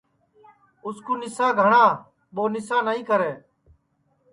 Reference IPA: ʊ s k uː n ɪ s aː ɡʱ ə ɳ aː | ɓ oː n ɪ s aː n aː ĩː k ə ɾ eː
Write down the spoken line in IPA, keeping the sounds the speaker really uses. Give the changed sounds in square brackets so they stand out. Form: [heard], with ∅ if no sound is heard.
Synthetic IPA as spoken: ʊ s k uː n ɪ s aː ɡʱ ə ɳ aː | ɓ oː n ɪ s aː n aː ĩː k ə ɾ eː